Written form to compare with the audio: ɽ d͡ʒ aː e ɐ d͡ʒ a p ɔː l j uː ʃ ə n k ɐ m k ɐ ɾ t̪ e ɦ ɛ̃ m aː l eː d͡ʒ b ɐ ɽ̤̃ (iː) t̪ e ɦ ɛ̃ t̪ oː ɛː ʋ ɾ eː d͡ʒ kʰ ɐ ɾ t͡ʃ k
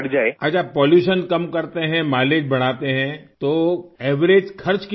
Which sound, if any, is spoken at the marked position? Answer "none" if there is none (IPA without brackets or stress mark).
aː